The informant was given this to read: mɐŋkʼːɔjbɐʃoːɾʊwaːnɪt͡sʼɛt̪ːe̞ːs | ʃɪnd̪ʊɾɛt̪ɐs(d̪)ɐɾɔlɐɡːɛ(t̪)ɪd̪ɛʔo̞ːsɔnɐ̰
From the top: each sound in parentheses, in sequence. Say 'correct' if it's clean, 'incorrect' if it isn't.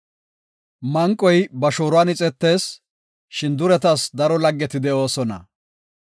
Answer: correct, correct

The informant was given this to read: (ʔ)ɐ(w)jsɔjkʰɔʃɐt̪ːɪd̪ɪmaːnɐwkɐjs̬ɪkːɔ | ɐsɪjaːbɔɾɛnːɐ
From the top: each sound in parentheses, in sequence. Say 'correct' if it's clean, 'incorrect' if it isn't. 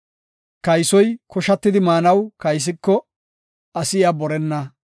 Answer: incorrect: k, incorrect: none

